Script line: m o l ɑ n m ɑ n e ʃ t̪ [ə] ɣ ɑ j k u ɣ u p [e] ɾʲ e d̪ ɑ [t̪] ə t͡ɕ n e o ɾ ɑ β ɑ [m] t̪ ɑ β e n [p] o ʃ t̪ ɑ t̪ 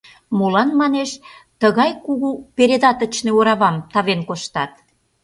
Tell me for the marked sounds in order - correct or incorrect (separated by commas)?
correct, correct, correct, correct, incorrect